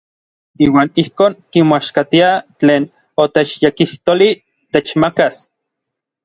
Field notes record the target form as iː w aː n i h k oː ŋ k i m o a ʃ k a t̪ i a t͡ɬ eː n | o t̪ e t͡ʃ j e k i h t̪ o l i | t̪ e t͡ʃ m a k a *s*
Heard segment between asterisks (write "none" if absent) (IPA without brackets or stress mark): s